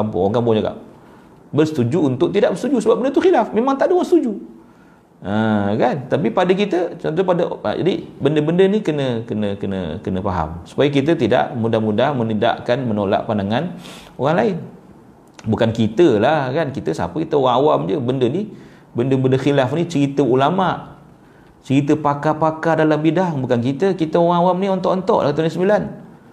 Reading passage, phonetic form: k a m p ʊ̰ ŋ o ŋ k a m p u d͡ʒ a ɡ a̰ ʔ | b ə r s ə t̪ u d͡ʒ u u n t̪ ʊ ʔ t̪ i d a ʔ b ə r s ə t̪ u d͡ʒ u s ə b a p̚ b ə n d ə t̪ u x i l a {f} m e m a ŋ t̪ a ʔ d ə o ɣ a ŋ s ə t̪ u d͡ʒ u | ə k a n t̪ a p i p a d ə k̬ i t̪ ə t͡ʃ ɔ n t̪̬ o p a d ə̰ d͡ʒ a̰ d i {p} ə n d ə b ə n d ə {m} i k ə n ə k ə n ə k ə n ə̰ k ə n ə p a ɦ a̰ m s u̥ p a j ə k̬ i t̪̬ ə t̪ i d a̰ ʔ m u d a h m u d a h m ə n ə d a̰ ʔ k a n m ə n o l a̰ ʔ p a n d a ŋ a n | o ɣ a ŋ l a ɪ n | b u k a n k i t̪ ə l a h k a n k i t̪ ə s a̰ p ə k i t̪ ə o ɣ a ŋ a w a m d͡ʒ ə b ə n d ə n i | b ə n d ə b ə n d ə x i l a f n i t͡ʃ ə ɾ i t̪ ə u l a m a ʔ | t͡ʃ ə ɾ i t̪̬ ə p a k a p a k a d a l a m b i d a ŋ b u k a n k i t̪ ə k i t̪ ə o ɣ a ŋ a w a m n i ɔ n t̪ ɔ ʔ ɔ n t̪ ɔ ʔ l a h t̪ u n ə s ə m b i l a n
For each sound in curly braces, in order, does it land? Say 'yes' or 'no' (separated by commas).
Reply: yes, no, no